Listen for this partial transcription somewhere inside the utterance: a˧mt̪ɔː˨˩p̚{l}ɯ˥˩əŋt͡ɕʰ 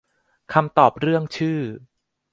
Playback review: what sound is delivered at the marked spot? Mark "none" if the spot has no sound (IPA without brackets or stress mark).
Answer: ɾ